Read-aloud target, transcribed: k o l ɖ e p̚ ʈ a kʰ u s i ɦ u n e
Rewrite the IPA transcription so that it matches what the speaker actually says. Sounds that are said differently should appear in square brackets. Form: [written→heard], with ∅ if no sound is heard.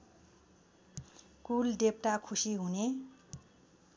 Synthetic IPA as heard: k [o→u] l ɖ e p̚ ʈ a kʰ u s i ɦ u n e